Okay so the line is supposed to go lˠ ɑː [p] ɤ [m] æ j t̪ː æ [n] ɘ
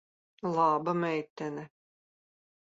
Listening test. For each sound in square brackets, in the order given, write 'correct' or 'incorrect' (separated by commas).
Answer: incorrect, correct, correct